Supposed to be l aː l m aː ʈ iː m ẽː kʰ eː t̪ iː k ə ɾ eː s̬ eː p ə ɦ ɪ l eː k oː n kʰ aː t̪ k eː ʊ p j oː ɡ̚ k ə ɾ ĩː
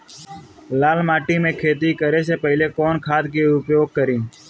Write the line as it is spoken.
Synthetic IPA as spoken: l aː l m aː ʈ iː m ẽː kʰ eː t̪ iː k ə ɾ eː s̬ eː p ə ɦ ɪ l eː k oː n kʰ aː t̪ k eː ʊ p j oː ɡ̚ k ə ɾ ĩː